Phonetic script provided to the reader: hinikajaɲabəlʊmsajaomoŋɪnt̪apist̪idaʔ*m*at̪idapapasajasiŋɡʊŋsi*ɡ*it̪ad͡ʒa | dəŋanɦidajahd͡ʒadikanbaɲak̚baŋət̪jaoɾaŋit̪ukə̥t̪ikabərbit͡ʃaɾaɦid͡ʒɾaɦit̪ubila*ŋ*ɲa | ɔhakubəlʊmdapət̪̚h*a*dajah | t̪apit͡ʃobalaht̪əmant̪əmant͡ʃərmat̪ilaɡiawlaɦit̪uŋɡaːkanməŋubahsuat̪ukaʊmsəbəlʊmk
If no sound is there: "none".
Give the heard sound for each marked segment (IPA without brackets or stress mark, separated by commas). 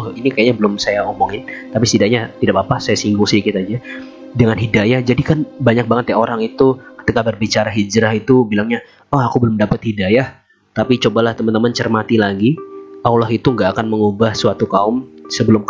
ɲ, k, ŋ, i